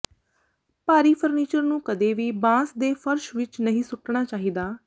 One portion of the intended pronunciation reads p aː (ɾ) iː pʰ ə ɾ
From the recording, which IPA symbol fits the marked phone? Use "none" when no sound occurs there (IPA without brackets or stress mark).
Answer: ɾ